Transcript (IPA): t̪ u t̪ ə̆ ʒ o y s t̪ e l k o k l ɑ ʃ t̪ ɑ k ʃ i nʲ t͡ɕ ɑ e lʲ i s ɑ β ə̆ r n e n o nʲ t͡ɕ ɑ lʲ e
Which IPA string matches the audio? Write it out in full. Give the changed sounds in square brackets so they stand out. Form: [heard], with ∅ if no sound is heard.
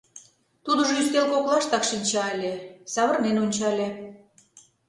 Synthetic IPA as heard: t̪ u [d̪] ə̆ ʒ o y s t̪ e l k o k l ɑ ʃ t̪ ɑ k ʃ i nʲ t͡ɕ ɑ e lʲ [e] s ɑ β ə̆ r n e n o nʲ t͡ɕ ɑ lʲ e